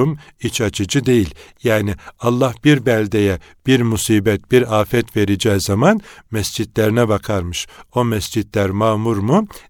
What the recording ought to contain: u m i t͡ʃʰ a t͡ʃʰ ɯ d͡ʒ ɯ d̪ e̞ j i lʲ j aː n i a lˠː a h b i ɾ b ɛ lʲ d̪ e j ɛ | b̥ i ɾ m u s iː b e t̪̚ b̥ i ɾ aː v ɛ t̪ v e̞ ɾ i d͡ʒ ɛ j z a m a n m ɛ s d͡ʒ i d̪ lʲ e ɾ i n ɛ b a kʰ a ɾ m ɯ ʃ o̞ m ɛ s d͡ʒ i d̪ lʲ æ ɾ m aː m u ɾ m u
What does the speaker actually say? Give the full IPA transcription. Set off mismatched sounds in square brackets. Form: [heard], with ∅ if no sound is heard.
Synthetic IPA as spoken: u m i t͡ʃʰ a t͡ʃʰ ɯ d͡ʒ ɯ d̪ e̞ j i lʲ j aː n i a lˠː a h b i ɾ b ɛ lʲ d̪ e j ɛ | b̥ i ɾ m u s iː b [ɛ] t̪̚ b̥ i ɾ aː [f] ɛ t̪ v e̞ ɾ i d͡ʒ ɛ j z a m a n m ɛ s d͡ʒ i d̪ lʲ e ɾ i n ɛ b a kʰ a ɾ m ɯ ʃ o̞ m ɛ s d͡ʒ i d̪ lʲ æ ɾ m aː m u ɾ m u